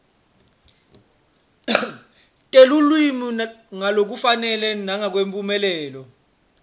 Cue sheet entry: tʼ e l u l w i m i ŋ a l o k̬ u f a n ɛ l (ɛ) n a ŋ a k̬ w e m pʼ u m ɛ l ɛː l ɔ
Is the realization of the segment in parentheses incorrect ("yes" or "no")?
no